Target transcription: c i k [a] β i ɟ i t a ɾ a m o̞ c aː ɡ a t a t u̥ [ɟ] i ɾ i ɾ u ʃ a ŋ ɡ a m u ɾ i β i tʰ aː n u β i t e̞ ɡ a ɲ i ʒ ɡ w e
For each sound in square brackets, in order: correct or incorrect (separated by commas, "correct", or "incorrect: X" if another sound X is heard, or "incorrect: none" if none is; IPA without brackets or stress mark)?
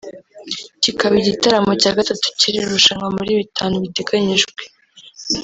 correct, incorrect: c